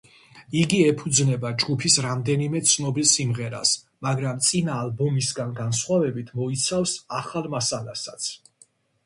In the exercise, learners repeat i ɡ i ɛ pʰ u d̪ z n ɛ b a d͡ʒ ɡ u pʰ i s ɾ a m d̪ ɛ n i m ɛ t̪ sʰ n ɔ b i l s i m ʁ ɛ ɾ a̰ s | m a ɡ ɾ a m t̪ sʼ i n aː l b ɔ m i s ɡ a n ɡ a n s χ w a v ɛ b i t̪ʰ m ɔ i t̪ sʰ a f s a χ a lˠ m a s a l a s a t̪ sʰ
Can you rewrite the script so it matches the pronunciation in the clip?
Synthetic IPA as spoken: i ɡ i ɛ pʰ u d̪ z n ɛ b a d͡ʒ ɡ u pʰ i s ɾ a m d̪ ɛ n i m ɛ t̪ sʰ n ɔ b i l s i m ʁ ɛ ɾ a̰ s | m a ɡ ɾ a m t̪ sʼ i n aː l b ɔ m i s ɡ a n ɡ a n s χ w a v ɛ b i t̪ʰ m ɔ i t̪ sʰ a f s a χ a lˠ m a s a l a s a t̪ sʰ